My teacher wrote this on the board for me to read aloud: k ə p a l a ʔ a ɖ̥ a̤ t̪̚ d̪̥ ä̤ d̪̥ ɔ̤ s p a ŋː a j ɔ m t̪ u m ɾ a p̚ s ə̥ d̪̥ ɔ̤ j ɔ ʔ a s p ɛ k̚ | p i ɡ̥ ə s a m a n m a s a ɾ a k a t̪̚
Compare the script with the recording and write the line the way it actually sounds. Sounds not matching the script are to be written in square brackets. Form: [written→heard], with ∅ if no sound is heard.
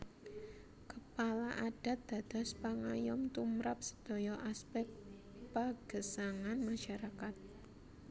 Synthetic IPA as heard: k ə p a l a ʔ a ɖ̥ a̤ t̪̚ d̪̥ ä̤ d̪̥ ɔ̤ s p a [ŋː→ŋ] a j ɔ m t̪ u m ɾ a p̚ s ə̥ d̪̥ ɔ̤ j ɔ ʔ a s p ɛ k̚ | p [i→a] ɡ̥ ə s a [m→ŋ] a n m a [s→ʃ] a ɾ a k a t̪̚